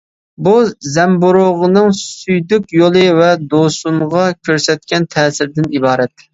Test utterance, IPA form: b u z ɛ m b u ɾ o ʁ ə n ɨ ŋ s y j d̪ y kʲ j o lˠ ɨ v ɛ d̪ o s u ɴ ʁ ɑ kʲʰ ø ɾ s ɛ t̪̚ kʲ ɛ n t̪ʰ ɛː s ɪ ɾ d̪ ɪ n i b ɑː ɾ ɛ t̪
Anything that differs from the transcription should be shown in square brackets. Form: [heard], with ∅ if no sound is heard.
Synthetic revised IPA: b u z ɛ m b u ɾ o ʁ ə n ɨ ŋ s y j d̪ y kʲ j o lˠ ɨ v ɛ d̪ o s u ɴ ʁ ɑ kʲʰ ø ɾ s ɛ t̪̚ kʲ ɛ n t̪ʰ ɛː s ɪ ɾ d̪ ɪ n i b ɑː ɾ ɛ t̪